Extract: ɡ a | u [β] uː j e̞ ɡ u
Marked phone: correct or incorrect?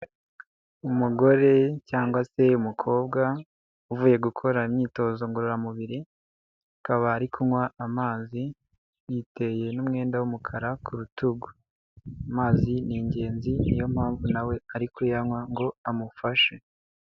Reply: incorrect: v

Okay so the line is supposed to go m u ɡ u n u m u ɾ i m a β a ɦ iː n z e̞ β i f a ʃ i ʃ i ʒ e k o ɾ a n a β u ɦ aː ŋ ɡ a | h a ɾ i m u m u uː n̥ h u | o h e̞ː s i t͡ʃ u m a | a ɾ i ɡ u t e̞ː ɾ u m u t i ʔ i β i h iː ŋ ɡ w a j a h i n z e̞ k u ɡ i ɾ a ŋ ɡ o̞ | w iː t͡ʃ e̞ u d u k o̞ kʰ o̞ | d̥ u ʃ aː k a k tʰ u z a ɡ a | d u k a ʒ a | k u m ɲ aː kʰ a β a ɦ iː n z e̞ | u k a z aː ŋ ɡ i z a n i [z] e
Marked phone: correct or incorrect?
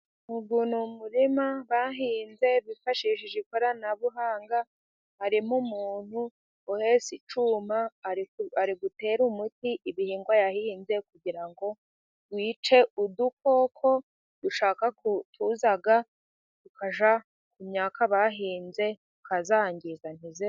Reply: correct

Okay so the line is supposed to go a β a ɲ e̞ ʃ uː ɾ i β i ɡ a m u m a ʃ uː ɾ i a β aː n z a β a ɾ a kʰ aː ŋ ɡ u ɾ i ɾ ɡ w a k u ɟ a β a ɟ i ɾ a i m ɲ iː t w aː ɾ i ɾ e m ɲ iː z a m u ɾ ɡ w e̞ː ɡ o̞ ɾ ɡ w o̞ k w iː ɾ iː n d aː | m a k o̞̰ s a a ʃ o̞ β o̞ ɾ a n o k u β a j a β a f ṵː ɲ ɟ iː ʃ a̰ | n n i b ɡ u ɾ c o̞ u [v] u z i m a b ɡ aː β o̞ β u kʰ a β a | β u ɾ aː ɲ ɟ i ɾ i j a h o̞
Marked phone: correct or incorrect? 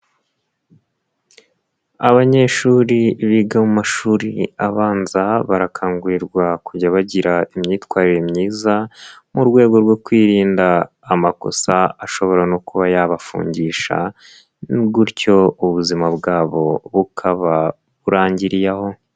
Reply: incorrect: β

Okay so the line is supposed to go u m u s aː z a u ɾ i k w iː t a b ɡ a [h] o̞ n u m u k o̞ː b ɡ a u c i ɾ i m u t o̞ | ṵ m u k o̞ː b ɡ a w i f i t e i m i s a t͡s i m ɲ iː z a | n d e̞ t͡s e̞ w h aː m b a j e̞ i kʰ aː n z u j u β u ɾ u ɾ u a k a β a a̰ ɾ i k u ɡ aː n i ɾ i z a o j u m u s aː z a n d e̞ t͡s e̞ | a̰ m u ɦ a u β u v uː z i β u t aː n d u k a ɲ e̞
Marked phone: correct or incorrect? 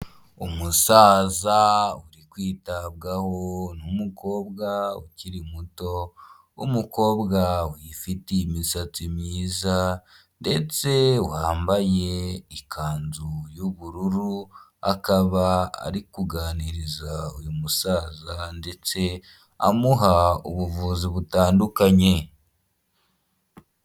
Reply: correct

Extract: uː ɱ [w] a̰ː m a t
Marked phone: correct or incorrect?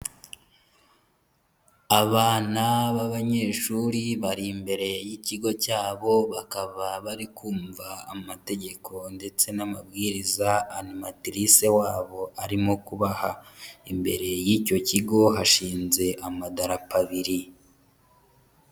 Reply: incorrect: v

